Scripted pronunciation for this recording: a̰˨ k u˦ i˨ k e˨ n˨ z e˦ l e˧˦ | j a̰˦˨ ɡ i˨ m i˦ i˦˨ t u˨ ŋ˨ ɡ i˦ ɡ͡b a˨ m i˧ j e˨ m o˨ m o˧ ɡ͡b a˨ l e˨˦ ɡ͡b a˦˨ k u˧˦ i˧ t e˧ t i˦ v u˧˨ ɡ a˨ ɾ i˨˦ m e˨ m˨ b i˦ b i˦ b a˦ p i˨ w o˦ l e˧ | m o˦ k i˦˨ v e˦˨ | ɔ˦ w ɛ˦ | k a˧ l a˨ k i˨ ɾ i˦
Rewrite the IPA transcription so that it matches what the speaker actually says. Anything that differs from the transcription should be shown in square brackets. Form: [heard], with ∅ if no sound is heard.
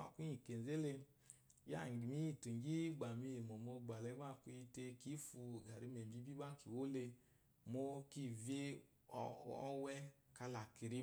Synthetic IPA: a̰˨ k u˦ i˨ k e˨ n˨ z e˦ l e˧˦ | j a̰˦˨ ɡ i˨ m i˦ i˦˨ t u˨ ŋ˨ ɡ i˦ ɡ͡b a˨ m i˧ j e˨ m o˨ m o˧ ɡ͡b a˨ l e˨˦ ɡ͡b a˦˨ k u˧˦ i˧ t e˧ [k] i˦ [f] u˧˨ ɡ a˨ ɾ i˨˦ m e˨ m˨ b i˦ b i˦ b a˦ [k] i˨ w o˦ l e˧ | m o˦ k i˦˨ v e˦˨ | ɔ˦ w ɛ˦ | k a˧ l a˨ k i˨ ɾ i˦

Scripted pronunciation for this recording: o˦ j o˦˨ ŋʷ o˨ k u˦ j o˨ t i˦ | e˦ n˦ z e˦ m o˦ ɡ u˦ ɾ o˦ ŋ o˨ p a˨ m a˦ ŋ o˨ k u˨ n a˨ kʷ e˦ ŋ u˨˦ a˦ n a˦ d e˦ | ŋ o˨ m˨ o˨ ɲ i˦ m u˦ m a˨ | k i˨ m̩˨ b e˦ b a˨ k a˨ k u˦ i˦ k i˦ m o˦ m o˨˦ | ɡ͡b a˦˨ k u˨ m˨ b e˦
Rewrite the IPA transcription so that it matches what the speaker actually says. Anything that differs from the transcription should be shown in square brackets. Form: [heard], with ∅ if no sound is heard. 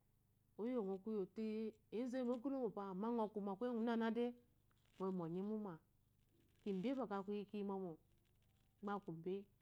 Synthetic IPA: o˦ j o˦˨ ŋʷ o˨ k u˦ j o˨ t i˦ | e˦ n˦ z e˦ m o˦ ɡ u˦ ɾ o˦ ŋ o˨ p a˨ m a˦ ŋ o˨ k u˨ [m] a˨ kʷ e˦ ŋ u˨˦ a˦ n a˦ d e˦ | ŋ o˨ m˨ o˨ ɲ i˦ m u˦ m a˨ | k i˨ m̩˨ b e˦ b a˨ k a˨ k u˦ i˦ k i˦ m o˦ m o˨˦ | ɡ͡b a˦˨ k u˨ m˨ b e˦

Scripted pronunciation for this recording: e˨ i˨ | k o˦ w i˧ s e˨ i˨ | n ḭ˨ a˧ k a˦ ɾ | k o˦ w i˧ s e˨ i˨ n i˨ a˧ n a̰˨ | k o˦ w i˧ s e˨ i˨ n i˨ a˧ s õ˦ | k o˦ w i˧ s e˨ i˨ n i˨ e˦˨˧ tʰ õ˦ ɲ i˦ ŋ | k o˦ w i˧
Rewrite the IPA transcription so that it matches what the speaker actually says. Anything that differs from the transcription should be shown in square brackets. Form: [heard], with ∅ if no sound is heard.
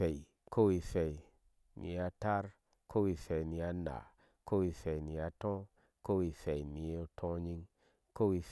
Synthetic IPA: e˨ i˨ | k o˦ w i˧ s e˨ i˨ | n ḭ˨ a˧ [t] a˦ ɾ | k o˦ w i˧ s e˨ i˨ n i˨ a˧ n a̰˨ | k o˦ w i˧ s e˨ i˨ n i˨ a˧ [t] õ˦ | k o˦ w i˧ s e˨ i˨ n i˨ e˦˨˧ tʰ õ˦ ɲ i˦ ŋ | k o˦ w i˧

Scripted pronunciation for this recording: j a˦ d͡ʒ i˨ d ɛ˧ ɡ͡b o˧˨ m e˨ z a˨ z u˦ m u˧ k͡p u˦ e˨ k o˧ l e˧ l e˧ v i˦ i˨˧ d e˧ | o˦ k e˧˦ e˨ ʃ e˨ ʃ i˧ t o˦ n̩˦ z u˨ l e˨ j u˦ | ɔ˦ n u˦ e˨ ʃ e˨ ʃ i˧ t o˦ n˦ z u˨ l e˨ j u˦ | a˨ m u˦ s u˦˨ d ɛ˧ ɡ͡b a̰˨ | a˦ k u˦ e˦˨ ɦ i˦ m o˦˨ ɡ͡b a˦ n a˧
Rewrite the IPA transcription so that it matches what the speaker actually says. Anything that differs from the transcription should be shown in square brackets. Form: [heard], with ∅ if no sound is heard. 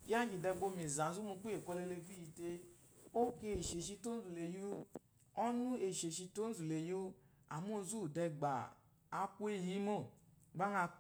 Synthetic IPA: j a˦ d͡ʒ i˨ d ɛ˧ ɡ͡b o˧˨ m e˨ z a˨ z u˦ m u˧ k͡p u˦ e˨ k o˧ l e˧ l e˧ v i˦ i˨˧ [t] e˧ | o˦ k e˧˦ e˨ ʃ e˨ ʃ i˧ t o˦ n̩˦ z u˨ l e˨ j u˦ | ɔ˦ n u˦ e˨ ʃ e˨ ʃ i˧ t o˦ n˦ z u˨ l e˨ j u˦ | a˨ m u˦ [z] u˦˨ d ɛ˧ ɡ͡b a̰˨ | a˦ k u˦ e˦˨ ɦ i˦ m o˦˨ ɡ͡b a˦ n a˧

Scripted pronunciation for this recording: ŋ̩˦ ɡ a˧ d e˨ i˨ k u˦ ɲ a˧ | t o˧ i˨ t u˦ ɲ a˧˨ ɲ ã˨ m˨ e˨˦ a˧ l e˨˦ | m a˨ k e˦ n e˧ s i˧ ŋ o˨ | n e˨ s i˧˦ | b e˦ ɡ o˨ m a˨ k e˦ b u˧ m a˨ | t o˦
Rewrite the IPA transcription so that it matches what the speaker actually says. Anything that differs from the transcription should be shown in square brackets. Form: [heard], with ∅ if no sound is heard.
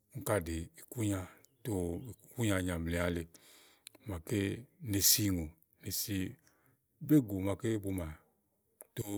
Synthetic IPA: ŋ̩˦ [k] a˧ d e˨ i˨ k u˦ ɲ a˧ | t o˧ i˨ [k] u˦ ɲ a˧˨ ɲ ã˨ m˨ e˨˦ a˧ l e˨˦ | m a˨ k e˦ n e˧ s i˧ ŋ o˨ | n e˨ s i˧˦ | b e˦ ɡ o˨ m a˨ k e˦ b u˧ m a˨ | t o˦

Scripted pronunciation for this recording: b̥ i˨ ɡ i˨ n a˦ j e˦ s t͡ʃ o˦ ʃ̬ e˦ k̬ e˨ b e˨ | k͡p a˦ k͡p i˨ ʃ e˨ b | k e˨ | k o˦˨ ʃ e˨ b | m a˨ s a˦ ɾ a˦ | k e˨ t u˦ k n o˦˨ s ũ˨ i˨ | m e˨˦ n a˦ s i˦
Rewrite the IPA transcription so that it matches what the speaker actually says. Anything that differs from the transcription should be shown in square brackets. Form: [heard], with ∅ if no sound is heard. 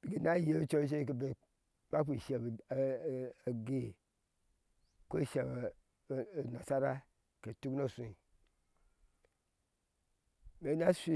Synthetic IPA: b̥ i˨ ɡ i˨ n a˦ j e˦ [∅] t͡ʃ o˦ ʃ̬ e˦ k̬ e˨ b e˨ | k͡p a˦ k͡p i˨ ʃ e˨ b | [ɡ] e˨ | k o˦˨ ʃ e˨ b | [n] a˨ s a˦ ɾ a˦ | k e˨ t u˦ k n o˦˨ s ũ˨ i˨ | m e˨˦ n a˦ s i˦

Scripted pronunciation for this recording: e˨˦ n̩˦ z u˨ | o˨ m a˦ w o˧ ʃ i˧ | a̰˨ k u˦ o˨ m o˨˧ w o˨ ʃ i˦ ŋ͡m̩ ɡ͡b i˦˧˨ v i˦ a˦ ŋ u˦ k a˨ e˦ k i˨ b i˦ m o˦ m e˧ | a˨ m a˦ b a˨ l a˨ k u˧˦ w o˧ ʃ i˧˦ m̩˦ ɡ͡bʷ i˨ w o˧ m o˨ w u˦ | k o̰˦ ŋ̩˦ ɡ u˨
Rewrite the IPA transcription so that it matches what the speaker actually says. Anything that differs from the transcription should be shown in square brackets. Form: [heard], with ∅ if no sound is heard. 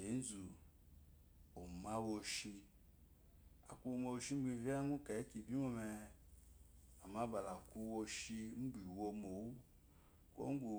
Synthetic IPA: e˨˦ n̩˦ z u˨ | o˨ m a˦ w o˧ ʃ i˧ | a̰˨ k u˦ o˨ m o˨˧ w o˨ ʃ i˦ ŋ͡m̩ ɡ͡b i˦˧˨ v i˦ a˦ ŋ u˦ k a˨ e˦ k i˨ b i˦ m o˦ m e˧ | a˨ m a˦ b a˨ l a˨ k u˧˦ w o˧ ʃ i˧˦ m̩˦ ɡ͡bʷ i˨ w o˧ m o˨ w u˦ | k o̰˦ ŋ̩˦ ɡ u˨

